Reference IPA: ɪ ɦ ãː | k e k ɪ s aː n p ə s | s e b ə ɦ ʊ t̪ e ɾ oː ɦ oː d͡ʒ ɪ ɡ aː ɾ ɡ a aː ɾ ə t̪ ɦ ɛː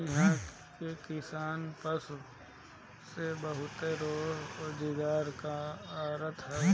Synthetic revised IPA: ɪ ɦ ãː | k e k ɪ s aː n p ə s | s e b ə ɦ ʊ t̪ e ɾ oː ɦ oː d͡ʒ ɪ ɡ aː ɾ k a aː ɾ ə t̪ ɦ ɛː